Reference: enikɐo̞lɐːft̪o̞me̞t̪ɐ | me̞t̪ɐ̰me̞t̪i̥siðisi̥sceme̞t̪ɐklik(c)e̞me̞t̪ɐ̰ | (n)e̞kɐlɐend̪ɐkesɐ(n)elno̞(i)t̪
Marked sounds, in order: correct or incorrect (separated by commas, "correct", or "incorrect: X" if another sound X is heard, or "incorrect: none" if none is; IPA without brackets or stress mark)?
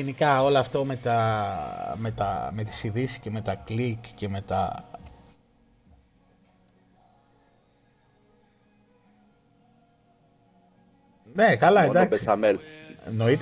correct, correct, incorrect: m, correct